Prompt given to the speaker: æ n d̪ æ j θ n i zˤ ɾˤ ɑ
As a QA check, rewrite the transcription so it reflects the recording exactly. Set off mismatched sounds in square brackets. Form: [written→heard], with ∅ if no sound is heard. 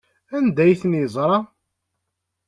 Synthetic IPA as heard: æ n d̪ æ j θ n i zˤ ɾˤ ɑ